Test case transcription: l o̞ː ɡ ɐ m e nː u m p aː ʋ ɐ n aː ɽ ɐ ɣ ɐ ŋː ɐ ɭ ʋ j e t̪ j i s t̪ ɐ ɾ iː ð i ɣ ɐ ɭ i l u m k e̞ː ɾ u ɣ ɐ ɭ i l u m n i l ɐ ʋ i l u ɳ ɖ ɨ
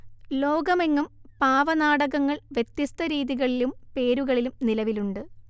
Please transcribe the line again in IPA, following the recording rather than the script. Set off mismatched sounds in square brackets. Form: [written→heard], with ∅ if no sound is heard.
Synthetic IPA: l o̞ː ɡ ɐ m e [nː→ŋː] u m p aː ʋ ɐ n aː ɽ ɐ ɣ ɐ ŋː ɐ ɭ ʋ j e t̪ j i s t̪ ɐ ɾ iː ð i ɣ ɐ ɭ i l u m [k→p] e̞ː ɾ u ɣ ɐ ɭ i l u m n i l ɐ ʋ i l u ɳ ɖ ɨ

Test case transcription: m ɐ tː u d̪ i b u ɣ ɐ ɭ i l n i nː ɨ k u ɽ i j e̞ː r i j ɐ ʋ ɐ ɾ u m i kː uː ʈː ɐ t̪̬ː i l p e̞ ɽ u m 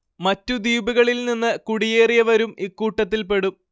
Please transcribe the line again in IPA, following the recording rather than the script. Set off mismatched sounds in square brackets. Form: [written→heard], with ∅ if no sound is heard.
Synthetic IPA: m ɐ tː u d̪ [i→iː] b u ɣ ɐ ɭ i l n i nː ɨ k u ɽ i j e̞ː r i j ɐ ʋ ɐ ɾ u m i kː uː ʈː ɐ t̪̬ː i l p e̞ ɽ u m

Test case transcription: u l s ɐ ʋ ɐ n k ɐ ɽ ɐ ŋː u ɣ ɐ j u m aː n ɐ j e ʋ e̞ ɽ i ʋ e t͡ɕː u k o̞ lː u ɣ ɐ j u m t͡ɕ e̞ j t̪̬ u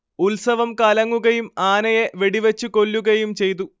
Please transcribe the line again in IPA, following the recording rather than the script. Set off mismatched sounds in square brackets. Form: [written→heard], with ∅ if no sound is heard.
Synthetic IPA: u l s ɐ ʋ ɐ [n→m] k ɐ [ɽ→l] ɐ ŋː u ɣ ɐ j u m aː n ɐ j e ʋ e̞ ɽ i ʋ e t͡ɕː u k o̞ lː u ɣ ɐ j u m t͡ɕ e̞ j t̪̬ u

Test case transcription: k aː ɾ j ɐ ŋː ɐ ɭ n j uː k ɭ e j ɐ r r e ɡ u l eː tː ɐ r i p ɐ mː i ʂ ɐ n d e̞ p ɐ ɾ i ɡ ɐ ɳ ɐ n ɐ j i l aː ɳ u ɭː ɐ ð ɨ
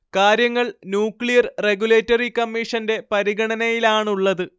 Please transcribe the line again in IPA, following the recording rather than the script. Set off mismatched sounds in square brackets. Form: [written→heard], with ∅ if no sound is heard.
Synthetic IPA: k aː ɾ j ɐ ŋː ɐ ɭ n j uː k ɭ [e→i] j ɐ r r e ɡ u l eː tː ɐ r i [p→k] ɐ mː i ʂ ɐ n d e̞ p ɐ ɾ i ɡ ɐ ɳ ɐ n ɐ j i l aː ɳ u ɭː ɐ ð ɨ

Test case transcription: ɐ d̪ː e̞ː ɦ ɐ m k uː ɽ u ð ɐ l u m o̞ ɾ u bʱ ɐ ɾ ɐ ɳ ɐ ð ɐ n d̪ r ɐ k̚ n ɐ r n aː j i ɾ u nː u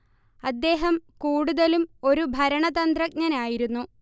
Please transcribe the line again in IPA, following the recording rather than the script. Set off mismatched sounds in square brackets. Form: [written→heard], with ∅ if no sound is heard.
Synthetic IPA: ɐ d̪ː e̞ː ɦ ɐ m k uː ɽ u ð ɐ l u m o̞ ɾ u bʱ ɐ ɾ ɐ ɳ ɐ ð ɐ n d̪ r ɐ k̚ [n→ɲ] ɐ [r→∅] n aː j i ɾ u nː u

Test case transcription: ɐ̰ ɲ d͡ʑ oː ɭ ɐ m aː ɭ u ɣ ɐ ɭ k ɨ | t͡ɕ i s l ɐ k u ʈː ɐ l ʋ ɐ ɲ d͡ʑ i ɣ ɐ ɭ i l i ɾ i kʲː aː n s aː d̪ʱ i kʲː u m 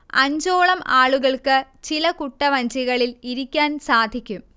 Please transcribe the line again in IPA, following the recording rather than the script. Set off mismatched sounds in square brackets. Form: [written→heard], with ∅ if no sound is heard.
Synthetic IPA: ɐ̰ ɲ d͡ʑ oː ɭ ɐ m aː ɭ u ɣ ɐ ɭ k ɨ | t͡ɕ i [s→∅] l ɐ k u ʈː ɐ [l→∅] ʋ ɐ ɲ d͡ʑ i ɣ ɐ ɭ i l i ɾ i kʲː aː n s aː d̪ʱ i kʲː u m

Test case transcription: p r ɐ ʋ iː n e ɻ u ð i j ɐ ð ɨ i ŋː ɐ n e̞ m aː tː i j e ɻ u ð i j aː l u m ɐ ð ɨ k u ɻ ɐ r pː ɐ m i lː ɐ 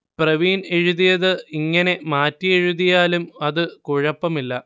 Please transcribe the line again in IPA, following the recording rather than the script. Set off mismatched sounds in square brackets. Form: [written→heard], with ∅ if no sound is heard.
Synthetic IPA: p r ɐ ʋ iː n e ɻ u ð i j ɐ ð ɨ i ŋː ɐ n e̞ m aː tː i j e ɻ u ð i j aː l u m ɐ ð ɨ k u ɻ ɐ [r→∅] pː ɐ m i lː ɐ

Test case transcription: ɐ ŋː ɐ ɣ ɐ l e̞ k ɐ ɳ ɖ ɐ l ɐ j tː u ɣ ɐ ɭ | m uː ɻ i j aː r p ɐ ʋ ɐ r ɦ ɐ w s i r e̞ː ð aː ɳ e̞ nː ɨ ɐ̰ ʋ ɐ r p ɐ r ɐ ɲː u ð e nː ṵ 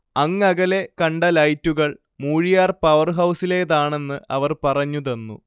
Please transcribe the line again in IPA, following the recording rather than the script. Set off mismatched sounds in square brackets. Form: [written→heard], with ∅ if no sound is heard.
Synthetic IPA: ɐ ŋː ɐ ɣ ɐ l e̞ k ɐ ɳ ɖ ɐ l ɐ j tː u ɣ ɐ ɭ | m uː ɻ i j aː r p ɐ ʋ ɐ r ɦ ɐ w s i [r→l] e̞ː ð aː ɳ e̞ nː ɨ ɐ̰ ʋ ɐ r p ɐ r ɐ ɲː u ð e nː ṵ

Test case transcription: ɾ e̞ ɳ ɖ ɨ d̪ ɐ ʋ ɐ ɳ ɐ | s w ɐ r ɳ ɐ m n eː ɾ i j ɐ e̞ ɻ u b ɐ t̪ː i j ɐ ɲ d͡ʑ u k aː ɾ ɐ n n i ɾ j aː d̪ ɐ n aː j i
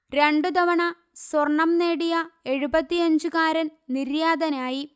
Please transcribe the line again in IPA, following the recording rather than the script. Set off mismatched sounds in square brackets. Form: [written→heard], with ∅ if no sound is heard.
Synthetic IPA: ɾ e̞ ɳ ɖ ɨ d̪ ɐ ʋ ɐ ɳ ɐ | s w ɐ r ɳ ɐ m n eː [ɾ→ɽ] i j ɐ e̞ ɻ u b ɐ t̪ː i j ɐ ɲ d͡ʑ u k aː ɾ ɐ n n i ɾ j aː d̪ ɐ n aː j i

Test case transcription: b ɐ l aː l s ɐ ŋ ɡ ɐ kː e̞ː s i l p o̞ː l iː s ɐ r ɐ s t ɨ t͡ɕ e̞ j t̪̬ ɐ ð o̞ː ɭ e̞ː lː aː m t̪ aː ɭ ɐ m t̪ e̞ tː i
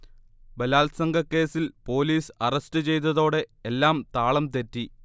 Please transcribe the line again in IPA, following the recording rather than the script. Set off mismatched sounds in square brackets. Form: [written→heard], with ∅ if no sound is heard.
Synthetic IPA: b ɐ l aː l s ɐ ŋ ɡ ɐ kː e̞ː s i l p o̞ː l iː s ɐ r ɐ s t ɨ t͡ɕ e̞ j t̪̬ ɐ ð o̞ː [ɭ→ɽ] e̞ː lː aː m t̪ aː ɭ ɐ m t̪ e̞ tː i

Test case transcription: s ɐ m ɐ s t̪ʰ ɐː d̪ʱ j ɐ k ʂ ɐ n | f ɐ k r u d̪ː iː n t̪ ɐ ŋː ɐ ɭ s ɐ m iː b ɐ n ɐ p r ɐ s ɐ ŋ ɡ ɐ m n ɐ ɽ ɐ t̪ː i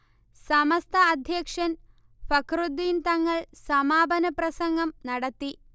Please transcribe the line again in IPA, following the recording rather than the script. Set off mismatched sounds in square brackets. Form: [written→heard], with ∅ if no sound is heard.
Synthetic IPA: s ɐ m ɐ s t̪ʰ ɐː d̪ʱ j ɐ k ʂ ɐ n | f ɐ k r u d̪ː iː n t̪ ɐ ŋː ɐ ɭ s ɐ m [iː→aː] b ɐ n ɐ p r ɐ s ɐ ŋ ɡ ɐ m n ɐ ɽ ɐ t̪ː i

